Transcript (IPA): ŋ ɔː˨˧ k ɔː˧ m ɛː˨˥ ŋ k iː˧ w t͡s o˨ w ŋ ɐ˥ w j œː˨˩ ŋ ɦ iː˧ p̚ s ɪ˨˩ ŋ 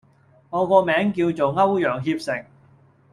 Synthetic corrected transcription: ŋ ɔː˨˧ k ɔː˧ m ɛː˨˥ ŋ k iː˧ w t͡s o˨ w ŋ ɐ˥ w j œː˨˩ ŋ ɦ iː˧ p̚ s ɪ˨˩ ŋ

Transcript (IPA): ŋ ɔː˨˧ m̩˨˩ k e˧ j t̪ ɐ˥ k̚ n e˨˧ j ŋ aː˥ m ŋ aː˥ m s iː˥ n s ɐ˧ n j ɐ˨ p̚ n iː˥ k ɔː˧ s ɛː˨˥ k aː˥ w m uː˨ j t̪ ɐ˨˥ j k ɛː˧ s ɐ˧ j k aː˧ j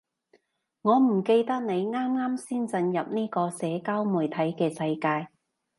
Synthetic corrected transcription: ŋ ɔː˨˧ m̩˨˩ k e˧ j t̪ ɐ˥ k̚ n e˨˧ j ŋ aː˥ m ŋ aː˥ m s iː˥ n t͡s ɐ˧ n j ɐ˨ p̚ n iː˥ k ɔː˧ s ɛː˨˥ k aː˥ w m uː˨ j t̪ʰ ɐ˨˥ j k ɛː˧ s ɐ˧ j k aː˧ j

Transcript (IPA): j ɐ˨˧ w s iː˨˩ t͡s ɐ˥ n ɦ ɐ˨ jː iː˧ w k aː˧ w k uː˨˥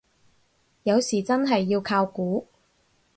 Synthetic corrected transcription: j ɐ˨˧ w s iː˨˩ t͡s ɐ˥ n ɦ ɐ˨ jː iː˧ w kʰ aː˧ w k uː˨˥

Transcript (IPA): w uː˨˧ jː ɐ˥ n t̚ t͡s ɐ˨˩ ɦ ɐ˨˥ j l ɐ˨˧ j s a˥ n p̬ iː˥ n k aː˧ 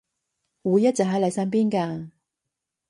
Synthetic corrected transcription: w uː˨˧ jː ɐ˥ t̚ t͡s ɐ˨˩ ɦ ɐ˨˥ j l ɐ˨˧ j s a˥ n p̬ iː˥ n k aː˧

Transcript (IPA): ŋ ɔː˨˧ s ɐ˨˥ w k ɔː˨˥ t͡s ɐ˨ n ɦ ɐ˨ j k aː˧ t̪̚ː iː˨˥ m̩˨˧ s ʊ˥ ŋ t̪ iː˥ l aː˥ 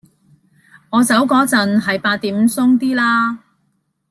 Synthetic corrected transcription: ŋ ɔː˨˧ t͡s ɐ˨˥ w k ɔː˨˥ t͡s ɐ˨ n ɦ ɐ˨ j p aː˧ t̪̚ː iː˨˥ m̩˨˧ s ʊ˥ ŋ t̪ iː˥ l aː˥

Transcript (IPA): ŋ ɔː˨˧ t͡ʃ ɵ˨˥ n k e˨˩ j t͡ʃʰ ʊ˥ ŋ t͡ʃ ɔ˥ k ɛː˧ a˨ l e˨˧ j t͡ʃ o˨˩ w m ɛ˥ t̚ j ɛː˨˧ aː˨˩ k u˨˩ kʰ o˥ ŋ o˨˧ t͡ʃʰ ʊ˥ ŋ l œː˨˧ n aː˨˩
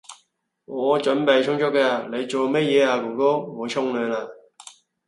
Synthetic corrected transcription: ŋ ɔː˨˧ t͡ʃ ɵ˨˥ n p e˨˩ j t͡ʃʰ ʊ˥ ŋ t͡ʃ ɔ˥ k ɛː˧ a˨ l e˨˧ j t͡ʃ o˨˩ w m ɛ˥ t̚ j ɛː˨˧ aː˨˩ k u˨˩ k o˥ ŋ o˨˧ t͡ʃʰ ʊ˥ ŋ l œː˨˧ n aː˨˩

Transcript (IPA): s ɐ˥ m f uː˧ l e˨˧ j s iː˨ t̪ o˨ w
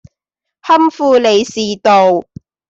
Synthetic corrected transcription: h ɐ˥ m f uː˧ l e˨˧ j s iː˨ t̪ o˨ w

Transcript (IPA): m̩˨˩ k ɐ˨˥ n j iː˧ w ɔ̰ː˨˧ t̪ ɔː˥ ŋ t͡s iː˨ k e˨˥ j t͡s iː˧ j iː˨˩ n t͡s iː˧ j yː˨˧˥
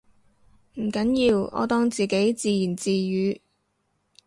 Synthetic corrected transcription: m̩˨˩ k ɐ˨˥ n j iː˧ w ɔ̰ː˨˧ t̪ ɔː˥ ŋ t͡s iː˨ k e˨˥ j t͡s iː˧ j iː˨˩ n t͡s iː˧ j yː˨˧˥

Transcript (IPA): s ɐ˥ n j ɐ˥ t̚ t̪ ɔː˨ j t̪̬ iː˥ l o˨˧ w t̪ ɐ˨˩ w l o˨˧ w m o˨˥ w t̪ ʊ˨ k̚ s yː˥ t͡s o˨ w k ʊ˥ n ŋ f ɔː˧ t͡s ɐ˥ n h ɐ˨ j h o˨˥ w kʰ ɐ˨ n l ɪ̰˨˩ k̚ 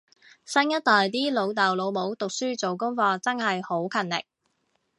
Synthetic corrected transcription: s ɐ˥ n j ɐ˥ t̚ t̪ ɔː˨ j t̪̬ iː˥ l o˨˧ w t̪ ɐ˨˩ w l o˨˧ w m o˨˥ w t̪ ʊ˨ k̚ s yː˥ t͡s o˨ w k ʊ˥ ŋ f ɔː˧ t͡s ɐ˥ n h ɐ˨ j h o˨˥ w kʰ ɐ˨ n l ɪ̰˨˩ k̚

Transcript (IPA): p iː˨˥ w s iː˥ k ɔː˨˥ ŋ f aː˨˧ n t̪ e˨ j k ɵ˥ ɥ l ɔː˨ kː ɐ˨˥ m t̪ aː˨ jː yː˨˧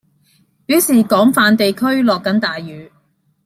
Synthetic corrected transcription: p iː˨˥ w s iː˨˩ k ɔː˨˥ ŋ f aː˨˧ n t̪ e˨ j kʰ ɵ˥ ɥ l ɔː˨ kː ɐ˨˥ n t̪ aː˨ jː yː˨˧

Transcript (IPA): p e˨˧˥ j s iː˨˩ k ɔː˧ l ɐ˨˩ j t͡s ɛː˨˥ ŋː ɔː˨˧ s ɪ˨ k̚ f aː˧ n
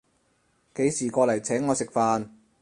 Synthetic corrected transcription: k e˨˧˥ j s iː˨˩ k ɔː˧ l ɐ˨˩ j t͡sʰ ɛː˨˥ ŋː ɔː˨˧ s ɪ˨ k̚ f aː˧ n

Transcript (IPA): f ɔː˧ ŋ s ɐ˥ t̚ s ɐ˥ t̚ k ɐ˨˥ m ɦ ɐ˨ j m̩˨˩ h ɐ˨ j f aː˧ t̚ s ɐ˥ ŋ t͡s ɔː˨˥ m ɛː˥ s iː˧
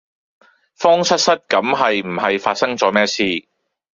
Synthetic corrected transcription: f ɔː˥ ŋ s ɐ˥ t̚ s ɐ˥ t̚ k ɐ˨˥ m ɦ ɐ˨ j m̩˨˩ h ɐ˨ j f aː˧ t̚ s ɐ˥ ŋ t͡s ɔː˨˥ m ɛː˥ s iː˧

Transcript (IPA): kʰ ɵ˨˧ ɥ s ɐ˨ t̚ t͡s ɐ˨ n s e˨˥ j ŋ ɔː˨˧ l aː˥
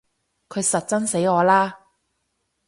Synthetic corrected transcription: kʰ ɵ˨˧ ɥ s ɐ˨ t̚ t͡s ɐ˥ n s e˨˥ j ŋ ɔː˨˧ l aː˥

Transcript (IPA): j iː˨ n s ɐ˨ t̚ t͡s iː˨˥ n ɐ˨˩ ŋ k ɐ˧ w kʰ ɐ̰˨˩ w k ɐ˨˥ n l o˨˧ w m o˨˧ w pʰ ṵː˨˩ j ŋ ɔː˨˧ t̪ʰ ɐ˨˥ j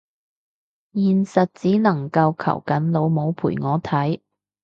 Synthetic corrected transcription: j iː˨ n s ɐ˨ t̚ t͡s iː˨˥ n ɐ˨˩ ŋ k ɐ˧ w kʰ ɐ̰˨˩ w k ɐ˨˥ n l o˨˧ w m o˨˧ w pʰ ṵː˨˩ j ŋ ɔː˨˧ t̪ʰ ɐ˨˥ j

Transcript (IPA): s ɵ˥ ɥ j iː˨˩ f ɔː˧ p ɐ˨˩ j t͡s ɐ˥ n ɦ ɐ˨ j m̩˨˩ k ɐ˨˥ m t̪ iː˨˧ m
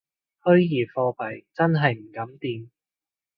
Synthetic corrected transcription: h ɵ˥ ɥ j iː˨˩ f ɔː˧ p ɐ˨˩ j t͡s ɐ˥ n ɦ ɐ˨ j m̩˨˩ k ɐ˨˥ m t̪ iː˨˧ m

